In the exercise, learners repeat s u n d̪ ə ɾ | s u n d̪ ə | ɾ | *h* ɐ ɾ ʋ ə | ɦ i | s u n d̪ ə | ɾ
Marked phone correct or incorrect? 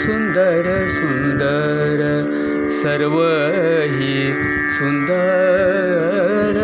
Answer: incorrect